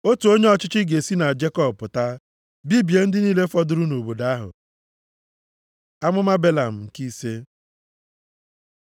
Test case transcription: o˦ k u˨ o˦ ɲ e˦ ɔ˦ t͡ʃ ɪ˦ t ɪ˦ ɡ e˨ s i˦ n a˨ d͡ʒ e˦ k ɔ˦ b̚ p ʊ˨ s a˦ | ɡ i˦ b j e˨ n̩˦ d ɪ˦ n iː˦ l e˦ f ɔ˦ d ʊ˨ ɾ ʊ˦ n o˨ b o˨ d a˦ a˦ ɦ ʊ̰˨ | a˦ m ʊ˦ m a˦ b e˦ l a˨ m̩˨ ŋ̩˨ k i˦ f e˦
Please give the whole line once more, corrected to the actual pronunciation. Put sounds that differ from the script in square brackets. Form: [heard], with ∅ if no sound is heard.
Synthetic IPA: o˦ [t] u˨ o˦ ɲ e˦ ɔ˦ t͡ʃ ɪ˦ [t͡ʃ] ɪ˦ ɡ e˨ s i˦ n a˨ d͡ʒ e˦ k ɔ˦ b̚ p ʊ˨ [t] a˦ | [b] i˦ b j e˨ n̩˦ d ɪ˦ n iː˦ l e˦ f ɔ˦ d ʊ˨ ɾ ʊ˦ n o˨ b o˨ d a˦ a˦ ɦ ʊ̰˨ | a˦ m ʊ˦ m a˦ b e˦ l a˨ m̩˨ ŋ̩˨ k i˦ [s] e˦